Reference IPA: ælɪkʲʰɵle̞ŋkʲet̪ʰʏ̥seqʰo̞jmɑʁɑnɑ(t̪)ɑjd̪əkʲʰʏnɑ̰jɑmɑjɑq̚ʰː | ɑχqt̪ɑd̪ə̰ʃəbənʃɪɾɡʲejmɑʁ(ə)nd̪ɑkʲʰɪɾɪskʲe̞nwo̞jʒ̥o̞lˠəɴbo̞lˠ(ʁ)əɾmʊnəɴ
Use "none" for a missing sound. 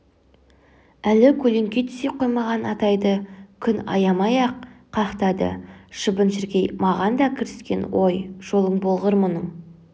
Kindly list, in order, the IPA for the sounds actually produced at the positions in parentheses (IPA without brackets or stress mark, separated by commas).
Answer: t̪, ɑ, ʁ